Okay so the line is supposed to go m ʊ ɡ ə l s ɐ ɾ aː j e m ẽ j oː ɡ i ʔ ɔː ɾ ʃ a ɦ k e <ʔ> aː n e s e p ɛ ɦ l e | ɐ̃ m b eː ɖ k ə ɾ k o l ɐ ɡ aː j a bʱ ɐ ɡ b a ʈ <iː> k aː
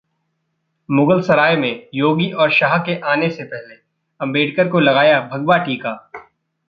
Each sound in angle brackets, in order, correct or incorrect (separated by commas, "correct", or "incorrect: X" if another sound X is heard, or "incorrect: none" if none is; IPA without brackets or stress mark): correct, correct